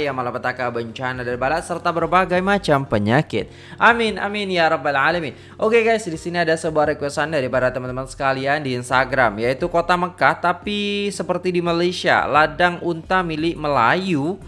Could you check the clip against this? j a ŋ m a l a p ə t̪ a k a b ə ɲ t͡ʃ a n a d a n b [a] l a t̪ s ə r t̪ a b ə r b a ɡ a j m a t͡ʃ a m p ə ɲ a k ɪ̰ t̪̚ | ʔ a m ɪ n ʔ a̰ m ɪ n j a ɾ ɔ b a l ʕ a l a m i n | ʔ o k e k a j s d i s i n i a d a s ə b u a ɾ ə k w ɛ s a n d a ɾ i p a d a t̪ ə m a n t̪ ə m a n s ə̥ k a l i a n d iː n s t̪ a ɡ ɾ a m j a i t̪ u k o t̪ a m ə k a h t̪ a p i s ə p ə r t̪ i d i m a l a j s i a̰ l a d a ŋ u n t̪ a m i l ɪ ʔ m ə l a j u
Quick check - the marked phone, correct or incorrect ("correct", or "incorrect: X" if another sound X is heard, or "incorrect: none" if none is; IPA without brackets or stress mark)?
correct